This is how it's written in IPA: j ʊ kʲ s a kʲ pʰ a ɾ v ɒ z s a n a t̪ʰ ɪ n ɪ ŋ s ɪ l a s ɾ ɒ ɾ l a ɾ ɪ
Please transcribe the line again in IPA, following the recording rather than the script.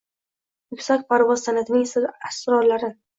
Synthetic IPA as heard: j ʊ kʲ s a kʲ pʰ a ɾ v ɒ z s a n a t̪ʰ ɪ n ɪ ŋ s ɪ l a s ɾ ɒ ɾ l a ɾ ɪ